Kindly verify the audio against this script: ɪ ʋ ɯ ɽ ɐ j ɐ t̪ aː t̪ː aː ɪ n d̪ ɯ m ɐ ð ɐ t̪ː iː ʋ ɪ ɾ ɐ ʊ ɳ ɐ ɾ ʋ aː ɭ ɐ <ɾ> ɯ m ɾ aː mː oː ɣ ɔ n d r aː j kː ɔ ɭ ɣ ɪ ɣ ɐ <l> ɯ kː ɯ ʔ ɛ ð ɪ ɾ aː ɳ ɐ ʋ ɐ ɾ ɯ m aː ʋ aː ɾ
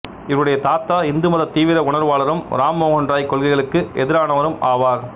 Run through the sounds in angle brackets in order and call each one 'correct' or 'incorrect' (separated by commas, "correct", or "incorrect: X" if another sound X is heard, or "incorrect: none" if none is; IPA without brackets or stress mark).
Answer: correct, incorrect: ɭ